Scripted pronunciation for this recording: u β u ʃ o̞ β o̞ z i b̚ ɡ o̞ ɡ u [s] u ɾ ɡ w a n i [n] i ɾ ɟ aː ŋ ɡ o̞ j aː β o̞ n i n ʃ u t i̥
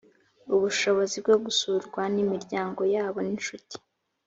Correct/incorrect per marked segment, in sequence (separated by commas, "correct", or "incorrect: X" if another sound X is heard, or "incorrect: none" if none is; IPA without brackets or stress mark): correct, incorrect: m